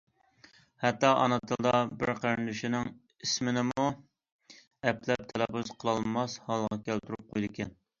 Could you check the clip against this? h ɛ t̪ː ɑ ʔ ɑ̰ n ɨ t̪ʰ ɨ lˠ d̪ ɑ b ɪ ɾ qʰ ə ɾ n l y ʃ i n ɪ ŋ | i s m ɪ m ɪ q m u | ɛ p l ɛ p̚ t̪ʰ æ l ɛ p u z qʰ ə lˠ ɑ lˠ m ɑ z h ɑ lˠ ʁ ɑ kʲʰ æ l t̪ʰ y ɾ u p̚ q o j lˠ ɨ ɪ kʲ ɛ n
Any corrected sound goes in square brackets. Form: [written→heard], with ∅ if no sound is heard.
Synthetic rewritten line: h ɛ t̪ː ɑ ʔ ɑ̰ n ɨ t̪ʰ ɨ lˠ d̪ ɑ b ɪ ɾ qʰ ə ɾ n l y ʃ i n ɪ ŋ | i s m ɪ [m→n] ɪ [q→∅] m u | ɛ p l ɛ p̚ t̪ʰ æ l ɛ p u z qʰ ə lˠ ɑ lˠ m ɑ [z→s] h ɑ lˠ ʁ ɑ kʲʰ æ l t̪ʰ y ɾ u p̚ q o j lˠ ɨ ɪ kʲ ɛ n